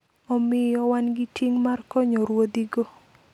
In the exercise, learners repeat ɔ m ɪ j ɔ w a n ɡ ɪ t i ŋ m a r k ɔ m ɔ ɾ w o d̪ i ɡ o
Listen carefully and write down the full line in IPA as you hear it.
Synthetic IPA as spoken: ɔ m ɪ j ɔ w a n ɡ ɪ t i ŋ m a r k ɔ ɲ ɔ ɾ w o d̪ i ɡ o